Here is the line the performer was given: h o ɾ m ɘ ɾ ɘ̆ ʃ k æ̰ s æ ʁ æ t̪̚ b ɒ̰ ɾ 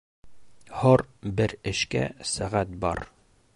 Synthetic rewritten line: h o ɾ b ɘ ɾ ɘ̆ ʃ k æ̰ s æ ʁ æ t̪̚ b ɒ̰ ɾ